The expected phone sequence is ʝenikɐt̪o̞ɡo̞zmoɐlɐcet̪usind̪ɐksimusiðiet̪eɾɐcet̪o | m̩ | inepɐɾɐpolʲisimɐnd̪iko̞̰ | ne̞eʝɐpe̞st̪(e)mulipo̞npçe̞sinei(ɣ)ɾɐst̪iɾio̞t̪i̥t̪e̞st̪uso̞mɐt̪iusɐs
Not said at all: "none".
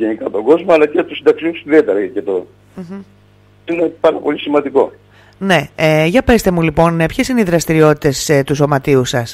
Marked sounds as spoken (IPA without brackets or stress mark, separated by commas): e, ð